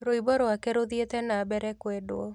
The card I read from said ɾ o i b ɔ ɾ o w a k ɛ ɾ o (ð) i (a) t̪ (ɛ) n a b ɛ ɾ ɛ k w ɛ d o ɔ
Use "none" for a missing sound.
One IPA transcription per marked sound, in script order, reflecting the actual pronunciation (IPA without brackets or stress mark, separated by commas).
ð, e, ɛ